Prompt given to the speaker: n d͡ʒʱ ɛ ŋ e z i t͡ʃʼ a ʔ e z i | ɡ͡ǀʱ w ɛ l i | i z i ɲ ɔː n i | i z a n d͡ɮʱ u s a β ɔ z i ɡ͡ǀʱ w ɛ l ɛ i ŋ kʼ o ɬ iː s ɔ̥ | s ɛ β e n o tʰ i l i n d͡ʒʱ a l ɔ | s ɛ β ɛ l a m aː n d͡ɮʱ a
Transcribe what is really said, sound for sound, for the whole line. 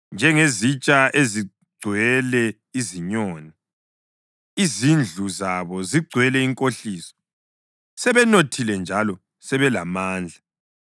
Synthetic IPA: n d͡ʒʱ ɛ ŋ e z i t͡ʃʼ a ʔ e z i | ɡ͡ǀʱ w ɛ l ɛ | i z i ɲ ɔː n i | i z i n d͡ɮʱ u z a β ɔ z i ɡ͡ǀʱ w ɛ l ɛ i ŋ kʼ o ɬ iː s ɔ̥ | s ɛ β ɛ n o tʰ i l ɛ n d͡ʒʱ a l ɔ | s ɛ β ɛ l a m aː n d͡ɮʱ a